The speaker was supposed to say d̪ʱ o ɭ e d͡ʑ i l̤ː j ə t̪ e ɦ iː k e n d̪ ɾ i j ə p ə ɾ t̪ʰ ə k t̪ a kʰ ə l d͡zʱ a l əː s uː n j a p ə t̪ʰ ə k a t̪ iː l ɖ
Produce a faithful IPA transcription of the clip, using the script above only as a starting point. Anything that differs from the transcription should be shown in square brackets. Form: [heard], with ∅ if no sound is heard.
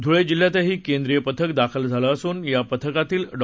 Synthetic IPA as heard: d̪ʱ [u] ɭ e d͡ʑ i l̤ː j [a] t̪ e ɦ iː k e n d̪ ɾ i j ə p ə [∅] t̪ʰ ə k [d̪] a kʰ ə l d͡zʱ a l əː s uː n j a p ə t̪ʰ ə k a t̪ iː l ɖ